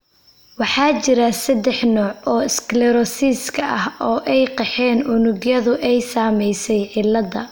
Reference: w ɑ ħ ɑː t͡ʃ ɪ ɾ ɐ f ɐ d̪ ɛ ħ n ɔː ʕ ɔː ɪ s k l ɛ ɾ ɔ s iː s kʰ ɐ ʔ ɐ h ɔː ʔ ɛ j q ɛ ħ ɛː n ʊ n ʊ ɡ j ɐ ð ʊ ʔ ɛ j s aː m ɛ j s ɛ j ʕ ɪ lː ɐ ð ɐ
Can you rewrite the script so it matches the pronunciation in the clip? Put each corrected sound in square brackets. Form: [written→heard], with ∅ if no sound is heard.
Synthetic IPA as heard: w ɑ ħ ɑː t͡ʃ ɪ ɾ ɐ [f→s] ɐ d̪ ɛ ħ n ɔː ʕ ɔː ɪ s k l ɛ ɾ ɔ s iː s kʰ ɐ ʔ ɐ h ɔː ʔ ɛ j q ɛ ħ ɛː n ʊ n ʊ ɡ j ɐ ð ʊ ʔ ɛ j s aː m ɛ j s ɛ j ʕ ɪ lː ɐ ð ɐ